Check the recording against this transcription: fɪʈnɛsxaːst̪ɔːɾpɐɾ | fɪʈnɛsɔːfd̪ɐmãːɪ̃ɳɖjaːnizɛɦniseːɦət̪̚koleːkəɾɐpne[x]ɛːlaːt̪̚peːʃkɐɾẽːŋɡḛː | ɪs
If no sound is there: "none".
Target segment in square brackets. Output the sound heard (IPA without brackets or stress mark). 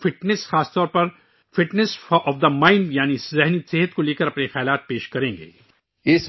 x